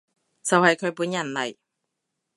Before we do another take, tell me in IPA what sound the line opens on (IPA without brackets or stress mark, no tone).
t͡s